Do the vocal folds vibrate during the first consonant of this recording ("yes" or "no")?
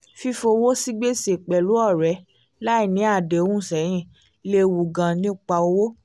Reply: no